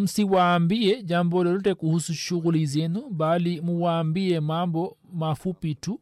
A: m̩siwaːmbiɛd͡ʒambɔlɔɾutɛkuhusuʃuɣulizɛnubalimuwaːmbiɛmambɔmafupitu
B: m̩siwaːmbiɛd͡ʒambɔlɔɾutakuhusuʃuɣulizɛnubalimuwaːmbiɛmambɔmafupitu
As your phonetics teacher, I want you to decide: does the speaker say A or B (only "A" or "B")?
A